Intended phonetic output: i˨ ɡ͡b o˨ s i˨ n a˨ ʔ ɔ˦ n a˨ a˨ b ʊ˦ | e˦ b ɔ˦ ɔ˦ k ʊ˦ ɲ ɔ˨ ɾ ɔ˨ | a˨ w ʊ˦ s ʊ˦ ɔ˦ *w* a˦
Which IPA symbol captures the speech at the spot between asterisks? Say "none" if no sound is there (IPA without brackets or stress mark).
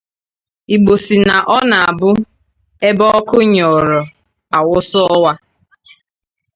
w